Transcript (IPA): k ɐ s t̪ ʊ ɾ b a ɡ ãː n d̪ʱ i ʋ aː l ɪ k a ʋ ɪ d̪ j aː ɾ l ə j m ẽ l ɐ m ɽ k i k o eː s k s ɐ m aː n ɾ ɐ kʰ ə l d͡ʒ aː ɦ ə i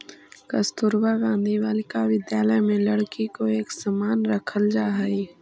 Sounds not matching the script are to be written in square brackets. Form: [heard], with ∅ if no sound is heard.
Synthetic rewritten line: k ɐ s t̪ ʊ ɾ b a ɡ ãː n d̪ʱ i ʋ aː l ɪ k a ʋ ɪ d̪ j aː [∅] l ə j m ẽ l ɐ [∅] ɽ k i k o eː [∅] k s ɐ m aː n ɾ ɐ kʰ ə l d͡ʒ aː ɦ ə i

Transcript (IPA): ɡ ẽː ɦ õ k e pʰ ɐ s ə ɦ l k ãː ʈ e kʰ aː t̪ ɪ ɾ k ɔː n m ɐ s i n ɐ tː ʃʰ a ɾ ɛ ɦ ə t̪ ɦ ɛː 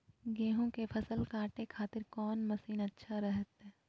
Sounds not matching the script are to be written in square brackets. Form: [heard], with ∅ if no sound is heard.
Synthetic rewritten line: ɡ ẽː ɦ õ k e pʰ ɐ s ə [∅] l k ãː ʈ e kʰ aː t̪ ɪ ɾ k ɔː n m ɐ s [iː] n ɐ tː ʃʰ a ɾ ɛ ɦ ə t̪ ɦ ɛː

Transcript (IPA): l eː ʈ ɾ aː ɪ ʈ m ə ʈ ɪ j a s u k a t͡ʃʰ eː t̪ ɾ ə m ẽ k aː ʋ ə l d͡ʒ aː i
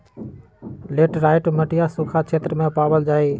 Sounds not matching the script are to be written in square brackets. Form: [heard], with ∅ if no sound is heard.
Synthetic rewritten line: l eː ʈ ɾ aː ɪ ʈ m ə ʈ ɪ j a s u [kʰ] a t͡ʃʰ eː t̪ ɾ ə m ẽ [p] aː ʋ ə l d͡ʒ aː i

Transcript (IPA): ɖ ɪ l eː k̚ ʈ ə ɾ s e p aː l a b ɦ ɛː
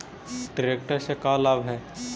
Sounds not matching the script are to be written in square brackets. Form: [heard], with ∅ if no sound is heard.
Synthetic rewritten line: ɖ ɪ [ɾ] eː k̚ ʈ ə ɾ s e [k] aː l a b ɦ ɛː

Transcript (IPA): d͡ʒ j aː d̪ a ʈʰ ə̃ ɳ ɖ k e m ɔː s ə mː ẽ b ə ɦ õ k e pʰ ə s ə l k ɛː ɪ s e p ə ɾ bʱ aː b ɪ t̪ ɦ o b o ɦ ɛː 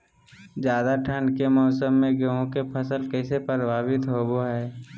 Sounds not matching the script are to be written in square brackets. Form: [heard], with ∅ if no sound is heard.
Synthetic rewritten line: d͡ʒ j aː d̪ a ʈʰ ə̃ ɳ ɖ k e m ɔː s ə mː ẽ [ɡ] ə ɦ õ k e pʰ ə s ə l k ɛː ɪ s e p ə ɾ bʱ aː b ɪ t̪ ɦ o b o ɦ ɛː

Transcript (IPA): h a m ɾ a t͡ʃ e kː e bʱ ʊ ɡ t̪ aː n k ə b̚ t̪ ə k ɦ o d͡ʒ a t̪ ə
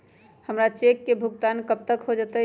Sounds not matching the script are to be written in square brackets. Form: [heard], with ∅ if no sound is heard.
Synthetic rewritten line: h [ə] m ɾ a t͡ʃ e kː e bʱ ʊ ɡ t̪ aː n k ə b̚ t̪ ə k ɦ o d͡ʒ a t̪ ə

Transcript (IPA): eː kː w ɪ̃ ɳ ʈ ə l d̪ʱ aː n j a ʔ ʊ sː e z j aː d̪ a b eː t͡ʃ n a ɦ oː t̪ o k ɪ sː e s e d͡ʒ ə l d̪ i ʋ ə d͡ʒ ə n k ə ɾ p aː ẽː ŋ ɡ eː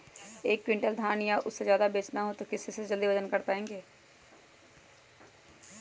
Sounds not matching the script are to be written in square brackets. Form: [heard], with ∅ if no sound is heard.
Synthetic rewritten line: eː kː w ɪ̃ ɳ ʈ ə l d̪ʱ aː n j a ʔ ʊ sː e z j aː d̪ a b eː t͡ʃ n a ɦ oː t̪ o k ɪ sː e s e d͡ʒ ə l d̪ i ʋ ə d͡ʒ ə n k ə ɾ p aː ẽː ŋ ɡ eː

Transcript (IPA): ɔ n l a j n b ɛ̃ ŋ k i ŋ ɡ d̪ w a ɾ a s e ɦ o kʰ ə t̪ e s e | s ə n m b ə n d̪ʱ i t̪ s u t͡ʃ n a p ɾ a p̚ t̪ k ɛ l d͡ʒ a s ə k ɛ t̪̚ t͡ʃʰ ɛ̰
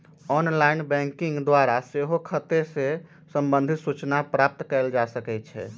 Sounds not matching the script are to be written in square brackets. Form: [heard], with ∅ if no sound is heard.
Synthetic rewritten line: ɔ n l a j n b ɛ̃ ŋ k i ŋ ɡ d̪ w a ɾ a s e ɦ o kʰ ə t̪ e s e | s ə [∅] m b ə n d̪ʱ i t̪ s u t͡ʃ n a p ɾ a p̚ t̪ k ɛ l d͡ʒ a s ə k ɛ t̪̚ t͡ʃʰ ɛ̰

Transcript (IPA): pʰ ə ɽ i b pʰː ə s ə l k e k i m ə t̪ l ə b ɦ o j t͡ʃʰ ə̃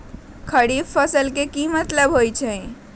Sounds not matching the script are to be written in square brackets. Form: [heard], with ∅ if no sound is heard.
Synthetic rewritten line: [kʰ] ə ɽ i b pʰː ə s ə l k e k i m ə t̪ l ə b ɦ o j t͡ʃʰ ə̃

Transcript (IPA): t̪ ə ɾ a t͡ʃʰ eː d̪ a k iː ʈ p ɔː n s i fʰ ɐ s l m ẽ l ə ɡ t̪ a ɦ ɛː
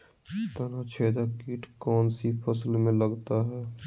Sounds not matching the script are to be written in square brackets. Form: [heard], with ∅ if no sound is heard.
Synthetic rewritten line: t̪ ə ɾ a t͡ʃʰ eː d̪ a k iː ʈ [k] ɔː n s i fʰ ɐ s l m ẽ l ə ɡ t̪ a ɦ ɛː

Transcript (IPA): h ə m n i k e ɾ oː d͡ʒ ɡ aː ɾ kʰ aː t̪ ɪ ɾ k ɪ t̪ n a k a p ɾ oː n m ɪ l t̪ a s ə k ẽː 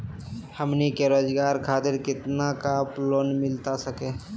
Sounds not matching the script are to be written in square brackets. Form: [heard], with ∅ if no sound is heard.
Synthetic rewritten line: h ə m n i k e ɾ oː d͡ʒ ɡ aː ɾ kʰ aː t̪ ɪ ɾ k ɪ t̪ n a k a p [l] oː n m ɪ l t̪ a s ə k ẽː

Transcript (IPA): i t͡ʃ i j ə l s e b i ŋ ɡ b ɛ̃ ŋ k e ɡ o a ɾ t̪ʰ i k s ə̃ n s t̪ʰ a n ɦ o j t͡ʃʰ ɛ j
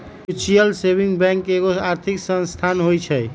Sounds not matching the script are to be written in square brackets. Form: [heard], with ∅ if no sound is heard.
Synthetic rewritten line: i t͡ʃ i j ə l s e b i ŋ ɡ b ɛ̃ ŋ k e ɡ o a ɾ t̪ʰ i k s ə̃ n s t̪ʰ a n ɦ o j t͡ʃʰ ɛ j

